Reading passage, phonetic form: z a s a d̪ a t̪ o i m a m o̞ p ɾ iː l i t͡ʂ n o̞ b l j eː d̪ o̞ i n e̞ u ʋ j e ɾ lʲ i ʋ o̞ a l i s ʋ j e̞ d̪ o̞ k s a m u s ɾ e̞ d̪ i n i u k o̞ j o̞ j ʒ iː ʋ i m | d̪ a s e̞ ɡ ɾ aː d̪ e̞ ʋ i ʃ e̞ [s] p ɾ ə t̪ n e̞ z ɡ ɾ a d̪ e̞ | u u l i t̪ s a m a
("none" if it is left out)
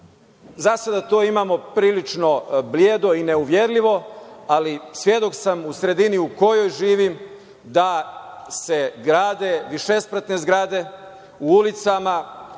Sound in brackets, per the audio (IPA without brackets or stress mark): s